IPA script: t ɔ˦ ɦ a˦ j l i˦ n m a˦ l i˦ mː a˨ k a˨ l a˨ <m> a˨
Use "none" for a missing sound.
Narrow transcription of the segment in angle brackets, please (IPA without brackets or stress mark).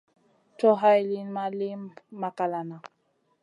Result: n